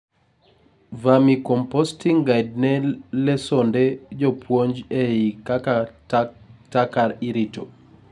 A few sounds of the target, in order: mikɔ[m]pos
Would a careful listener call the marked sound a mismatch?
no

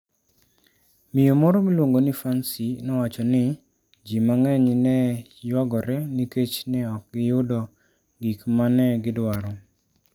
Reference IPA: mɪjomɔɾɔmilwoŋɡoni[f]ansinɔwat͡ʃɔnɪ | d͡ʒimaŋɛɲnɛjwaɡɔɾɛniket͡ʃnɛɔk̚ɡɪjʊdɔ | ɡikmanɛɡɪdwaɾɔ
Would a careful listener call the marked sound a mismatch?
no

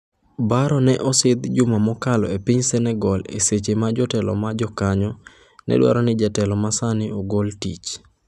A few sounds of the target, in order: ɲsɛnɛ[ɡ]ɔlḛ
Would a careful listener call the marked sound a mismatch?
no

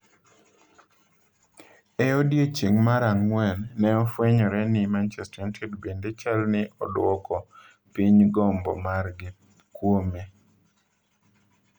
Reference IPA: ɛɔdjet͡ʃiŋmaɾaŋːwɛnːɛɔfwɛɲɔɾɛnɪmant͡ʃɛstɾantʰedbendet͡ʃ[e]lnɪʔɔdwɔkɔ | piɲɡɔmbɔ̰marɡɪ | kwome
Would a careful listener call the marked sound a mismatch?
yes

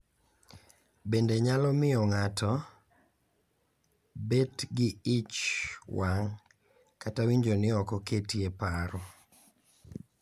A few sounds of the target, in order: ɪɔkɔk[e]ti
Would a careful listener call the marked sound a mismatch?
no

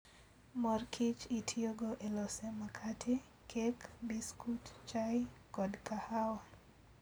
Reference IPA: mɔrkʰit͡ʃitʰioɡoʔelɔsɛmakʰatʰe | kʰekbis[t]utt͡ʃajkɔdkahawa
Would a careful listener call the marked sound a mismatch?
yes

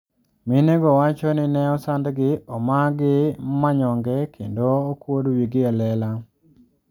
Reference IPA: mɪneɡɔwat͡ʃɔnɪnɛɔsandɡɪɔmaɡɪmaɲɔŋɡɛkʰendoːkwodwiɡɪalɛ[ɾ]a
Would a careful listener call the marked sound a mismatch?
yes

